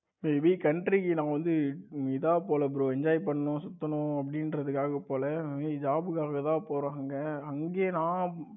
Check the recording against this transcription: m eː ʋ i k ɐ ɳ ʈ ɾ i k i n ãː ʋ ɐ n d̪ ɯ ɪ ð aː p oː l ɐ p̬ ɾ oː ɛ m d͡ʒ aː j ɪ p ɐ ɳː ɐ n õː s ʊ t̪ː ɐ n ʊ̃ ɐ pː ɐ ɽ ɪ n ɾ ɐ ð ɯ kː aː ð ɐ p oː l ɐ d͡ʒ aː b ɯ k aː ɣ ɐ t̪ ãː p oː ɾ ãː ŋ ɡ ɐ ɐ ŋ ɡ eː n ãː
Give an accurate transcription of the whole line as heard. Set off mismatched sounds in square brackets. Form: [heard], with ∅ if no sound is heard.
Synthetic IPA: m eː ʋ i k ɐ ɳ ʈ ɾ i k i n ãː ʋ ɐ n d̪ ɯ ɪ ð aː p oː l ɐ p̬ ɾ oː ɛ [ɲ] d͡ʒ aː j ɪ p ɐ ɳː ɐ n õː s ʊ t̪ː ɐ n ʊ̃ ɐ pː ɐ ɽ ɪ n ɾ ɐ ð ɯ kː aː [ɣ] ɐ p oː l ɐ d͡ʒ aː b ɯ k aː ɣ ɐ t̪ ãː p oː ɾ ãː ŋ ɡ ɐ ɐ ŋ ɡ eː n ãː